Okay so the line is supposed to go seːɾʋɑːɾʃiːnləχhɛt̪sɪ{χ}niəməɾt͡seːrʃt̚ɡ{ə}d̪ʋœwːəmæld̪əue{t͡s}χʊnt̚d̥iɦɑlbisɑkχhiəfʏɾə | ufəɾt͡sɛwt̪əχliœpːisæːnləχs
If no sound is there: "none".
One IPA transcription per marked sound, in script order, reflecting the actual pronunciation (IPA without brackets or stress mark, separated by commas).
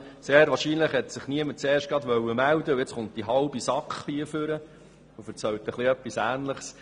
χ, ɑ, t͡s